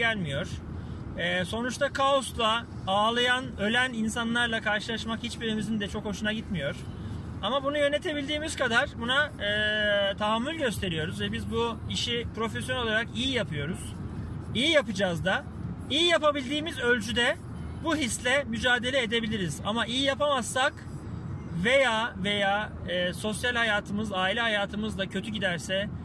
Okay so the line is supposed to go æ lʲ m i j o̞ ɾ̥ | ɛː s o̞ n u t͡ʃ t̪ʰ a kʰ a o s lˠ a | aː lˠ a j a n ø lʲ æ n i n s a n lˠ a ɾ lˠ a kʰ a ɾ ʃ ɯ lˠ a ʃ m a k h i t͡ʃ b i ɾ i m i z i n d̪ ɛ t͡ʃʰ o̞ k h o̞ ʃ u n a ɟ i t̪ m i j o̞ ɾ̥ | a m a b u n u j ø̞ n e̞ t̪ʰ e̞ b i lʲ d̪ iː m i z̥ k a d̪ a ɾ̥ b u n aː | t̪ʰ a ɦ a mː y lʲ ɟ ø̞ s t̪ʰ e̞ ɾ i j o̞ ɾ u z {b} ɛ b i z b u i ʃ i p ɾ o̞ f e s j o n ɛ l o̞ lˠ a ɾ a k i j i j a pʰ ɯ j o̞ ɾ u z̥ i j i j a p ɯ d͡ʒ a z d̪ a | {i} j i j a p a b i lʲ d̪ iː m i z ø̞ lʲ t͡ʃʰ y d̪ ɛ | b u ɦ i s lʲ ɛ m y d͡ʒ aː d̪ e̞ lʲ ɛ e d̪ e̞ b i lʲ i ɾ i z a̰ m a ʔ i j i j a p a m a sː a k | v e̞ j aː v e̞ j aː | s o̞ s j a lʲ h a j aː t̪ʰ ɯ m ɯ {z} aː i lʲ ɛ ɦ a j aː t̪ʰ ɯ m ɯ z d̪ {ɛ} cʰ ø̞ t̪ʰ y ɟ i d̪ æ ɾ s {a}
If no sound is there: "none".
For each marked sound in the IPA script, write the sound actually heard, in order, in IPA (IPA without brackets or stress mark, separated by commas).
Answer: v, i, z, a, ɛ